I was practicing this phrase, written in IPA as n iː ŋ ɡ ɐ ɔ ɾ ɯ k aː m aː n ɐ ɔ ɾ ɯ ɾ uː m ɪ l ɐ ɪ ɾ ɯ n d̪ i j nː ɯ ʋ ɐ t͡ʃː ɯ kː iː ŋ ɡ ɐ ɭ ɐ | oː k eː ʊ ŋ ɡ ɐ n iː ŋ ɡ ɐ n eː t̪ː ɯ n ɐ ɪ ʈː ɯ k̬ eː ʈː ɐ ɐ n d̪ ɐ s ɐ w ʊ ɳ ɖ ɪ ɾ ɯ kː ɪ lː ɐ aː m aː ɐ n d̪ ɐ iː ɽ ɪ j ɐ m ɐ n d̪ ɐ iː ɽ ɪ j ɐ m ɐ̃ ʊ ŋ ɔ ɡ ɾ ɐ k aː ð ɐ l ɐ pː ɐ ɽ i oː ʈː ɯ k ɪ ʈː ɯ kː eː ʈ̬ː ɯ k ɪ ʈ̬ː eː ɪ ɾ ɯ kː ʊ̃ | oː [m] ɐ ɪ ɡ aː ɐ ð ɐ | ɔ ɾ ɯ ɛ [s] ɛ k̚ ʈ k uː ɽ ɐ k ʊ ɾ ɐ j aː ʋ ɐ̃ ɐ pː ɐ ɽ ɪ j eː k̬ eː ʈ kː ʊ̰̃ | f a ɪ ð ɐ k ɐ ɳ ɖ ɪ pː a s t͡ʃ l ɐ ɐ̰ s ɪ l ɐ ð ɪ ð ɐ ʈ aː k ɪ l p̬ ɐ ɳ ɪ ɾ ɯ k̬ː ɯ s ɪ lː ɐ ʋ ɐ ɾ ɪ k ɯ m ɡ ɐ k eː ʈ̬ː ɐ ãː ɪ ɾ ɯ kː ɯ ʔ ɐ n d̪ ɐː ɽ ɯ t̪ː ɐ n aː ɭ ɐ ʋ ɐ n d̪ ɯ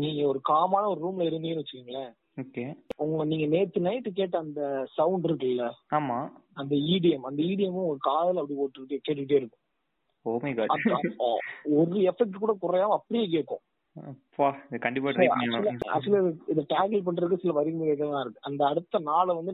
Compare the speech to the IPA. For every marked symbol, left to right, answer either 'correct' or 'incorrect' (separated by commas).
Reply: correct, incorrect